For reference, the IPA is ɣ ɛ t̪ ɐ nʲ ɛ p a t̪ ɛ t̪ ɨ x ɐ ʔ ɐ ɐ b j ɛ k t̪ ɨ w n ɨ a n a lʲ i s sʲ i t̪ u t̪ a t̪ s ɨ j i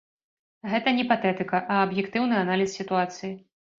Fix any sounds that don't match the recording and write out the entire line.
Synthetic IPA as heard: ɣ ɛ t̪ ɐ nʲ ɛ p a t̪ ɛ t̪ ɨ k ɐ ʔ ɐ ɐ b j ɛ k t̪ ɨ w n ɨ a n a lʲ i s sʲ i t̪ u a t̪ s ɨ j i